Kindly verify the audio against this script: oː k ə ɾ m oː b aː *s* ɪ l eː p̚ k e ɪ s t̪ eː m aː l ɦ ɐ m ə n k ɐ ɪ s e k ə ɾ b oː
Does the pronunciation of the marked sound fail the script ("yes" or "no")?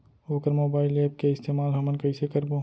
yes